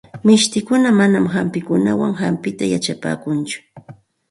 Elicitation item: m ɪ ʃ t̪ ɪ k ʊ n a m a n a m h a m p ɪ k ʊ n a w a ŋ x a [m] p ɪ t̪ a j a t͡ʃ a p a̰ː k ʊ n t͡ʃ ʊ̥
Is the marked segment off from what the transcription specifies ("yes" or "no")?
no